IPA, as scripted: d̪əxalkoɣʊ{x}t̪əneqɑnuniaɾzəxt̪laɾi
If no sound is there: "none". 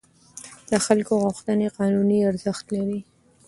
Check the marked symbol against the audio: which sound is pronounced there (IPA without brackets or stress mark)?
x